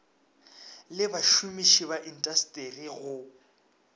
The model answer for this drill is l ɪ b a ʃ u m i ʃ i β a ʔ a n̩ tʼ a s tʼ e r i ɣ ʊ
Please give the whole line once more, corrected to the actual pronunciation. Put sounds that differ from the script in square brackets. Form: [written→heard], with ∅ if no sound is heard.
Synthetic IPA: l ɪ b a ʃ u m i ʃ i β a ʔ [a→i] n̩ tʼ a s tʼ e r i ɣ ʊ